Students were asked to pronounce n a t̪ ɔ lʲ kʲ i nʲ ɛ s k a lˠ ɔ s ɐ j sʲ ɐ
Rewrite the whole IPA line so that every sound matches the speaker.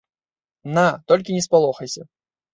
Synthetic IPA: n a t̪ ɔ lʲ kʲ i nʲ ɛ s p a lˠ ɔ x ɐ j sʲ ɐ